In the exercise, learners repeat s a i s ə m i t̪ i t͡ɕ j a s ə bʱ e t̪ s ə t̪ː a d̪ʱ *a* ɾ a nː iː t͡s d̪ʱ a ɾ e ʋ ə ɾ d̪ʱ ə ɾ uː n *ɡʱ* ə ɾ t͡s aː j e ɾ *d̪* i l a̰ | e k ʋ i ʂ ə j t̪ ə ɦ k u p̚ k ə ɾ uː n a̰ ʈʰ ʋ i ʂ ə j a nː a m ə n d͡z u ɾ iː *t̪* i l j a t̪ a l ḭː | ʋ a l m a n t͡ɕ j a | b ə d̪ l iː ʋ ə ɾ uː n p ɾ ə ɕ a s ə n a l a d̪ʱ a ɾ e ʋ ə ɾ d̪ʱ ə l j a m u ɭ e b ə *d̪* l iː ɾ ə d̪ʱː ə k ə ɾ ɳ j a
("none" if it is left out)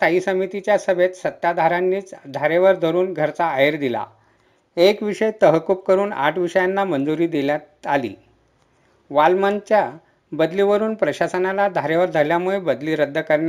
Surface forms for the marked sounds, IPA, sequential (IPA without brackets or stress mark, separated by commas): a, ɡʱ, d̪, d̪, d̪